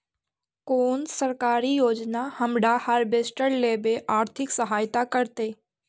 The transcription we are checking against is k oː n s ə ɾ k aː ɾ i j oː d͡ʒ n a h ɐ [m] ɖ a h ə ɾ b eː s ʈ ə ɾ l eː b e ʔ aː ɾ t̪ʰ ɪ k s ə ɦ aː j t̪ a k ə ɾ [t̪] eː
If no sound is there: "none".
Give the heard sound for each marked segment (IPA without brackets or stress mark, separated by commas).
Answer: m, t̪